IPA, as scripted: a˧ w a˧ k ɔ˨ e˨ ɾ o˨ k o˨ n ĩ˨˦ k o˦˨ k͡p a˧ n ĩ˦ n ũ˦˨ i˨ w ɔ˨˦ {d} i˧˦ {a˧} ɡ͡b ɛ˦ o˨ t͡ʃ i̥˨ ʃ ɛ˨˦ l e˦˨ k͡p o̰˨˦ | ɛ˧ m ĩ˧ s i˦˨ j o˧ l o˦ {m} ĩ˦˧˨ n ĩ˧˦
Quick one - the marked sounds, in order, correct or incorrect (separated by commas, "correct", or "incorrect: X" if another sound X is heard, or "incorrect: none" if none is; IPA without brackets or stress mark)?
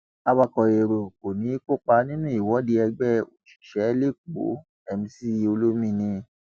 correct, incorrect: ɛ˧, correct